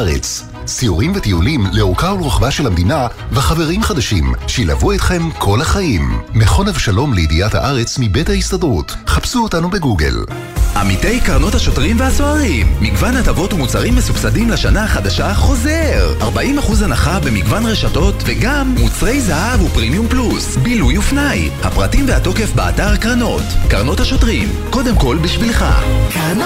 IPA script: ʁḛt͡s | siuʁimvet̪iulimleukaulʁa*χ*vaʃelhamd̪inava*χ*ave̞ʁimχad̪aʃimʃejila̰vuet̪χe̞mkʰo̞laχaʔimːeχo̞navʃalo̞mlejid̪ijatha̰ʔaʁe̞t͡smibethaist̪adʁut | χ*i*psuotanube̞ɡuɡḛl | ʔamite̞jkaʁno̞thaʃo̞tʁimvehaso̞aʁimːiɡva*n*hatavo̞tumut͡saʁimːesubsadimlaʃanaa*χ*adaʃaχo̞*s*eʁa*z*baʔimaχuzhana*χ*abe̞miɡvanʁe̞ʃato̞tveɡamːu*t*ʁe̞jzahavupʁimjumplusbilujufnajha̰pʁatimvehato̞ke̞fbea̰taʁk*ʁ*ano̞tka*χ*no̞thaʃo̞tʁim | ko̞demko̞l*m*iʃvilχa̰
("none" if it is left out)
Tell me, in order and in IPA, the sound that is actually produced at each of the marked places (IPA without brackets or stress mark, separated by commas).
χ, χ, a, n, χ, z, ʁ, χ, t͡s, ʁ, ʁ, b